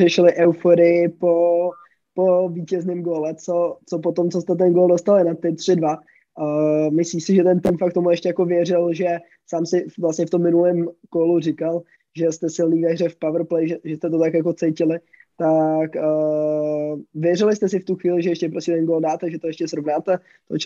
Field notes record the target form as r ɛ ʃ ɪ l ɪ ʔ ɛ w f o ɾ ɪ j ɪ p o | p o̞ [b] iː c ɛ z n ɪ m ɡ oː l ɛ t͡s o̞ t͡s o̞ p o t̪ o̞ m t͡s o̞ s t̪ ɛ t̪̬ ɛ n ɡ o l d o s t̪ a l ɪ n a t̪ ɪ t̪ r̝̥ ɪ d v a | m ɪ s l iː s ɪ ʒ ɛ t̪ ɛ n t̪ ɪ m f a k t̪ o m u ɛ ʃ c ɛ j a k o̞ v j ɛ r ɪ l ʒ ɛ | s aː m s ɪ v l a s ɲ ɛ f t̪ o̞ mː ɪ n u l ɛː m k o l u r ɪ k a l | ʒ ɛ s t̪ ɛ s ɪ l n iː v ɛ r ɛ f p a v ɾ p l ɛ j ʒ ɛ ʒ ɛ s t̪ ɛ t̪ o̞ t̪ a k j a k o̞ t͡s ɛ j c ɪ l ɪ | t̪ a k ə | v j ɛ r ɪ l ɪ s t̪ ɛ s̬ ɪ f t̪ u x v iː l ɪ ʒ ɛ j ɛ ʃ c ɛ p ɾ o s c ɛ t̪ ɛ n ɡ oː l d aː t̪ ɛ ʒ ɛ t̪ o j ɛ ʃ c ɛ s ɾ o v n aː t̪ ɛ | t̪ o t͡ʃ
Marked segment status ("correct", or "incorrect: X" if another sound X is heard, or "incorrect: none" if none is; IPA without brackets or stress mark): incorrect: v